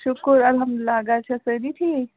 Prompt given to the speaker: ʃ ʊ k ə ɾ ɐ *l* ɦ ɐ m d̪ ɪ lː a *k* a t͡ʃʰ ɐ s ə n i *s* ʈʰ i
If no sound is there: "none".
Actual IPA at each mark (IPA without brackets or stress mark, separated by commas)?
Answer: l, ɡ, none